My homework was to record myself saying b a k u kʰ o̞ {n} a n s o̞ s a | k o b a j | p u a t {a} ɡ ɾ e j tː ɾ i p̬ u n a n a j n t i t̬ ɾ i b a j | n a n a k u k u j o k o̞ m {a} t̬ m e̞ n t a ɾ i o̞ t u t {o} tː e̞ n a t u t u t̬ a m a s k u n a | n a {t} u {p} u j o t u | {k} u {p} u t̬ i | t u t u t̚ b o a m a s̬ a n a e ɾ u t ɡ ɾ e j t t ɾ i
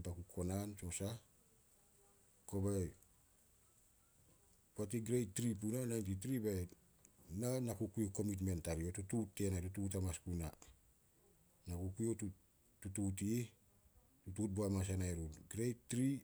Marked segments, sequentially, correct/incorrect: correct, incorrect, incorrect, incorrect, incorrect, incorrect, incorrect, incorrect

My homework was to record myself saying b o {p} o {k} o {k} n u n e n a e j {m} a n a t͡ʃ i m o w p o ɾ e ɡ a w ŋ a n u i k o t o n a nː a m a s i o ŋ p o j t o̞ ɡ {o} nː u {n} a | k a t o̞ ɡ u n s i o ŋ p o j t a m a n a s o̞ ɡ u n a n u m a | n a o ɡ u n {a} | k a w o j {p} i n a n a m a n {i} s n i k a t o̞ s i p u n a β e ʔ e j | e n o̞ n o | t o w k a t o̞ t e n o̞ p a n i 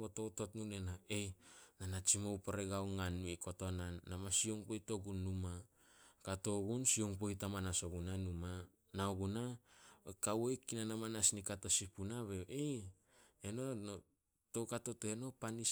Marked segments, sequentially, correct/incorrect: incorrect, incorrect, incorrect, incorrect, incorrect, incorrect, correct, incorrect, incorrect

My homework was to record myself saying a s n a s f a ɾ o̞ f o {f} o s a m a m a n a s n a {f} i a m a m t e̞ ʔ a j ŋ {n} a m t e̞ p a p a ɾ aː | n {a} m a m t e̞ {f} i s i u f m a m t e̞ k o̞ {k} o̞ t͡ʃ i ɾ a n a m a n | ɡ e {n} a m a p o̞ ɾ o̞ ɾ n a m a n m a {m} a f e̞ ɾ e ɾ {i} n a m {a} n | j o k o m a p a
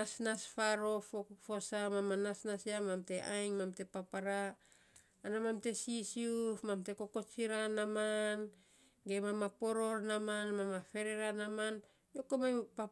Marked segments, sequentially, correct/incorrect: correct, incorrect, incorrect, correct, incorrect, correct, incorrect, correct, incorrect, correct

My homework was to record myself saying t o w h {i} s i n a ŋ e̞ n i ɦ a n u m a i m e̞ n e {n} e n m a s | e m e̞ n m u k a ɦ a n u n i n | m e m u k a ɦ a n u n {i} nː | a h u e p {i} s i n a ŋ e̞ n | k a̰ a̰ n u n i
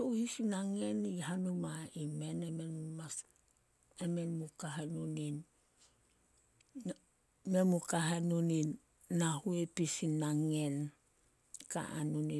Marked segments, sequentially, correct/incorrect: correct, incorrect, correct, correct

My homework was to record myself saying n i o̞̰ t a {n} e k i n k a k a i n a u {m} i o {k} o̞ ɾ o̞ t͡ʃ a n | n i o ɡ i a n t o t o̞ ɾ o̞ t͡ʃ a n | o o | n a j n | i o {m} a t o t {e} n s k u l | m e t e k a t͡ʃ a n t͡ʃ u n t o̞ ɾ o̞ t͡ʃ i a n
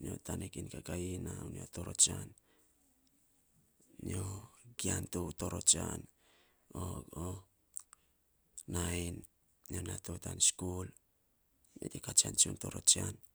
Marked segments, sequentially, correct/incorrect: correct, incorrect, incorrect, incorrect, incorrect

